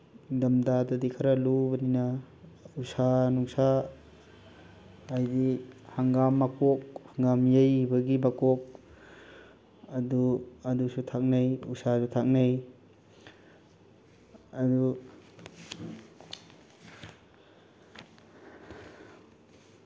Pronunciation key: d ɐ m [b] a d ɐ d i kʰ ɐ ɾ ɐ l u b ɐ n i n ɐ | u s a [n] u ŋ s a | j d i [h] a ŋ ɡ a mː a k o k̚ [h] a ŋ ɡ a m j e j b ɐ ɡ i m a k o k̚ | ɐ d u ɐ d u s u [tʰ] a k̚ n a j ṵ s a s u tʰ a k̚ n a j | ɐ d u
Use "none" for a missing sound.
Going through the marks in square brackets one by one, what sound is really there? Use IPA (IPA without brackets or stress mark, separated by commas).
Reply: d, n, h, h, tʰ